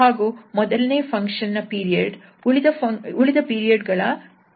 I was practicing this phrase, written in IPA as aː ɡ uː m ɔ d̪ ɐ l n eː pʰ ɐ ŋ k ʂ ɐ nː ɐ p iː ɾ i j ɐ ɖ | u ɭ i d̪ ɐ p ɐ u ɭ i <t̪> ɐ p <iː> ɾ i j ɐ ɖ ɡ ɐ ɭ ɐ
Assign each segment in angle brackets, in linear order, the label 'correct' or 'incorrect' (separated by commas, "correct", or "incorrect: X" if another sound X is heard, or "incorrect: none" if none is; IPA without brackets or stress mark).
incorrect: d̪, correct